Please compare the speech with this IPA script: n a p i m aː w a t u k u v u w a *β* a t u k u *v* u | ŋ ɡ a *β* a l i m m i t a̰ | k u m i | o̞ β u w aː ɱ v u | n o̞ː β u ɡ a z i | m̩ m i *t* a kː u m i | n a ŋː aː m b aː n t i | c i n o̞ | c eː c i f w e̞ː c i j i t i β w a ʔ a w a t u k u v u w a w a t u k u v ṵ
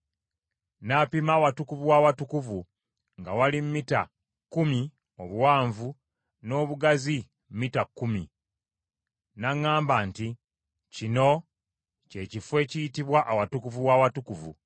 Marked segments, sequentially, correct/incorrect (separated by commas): incorrect, correct, incorrect, correct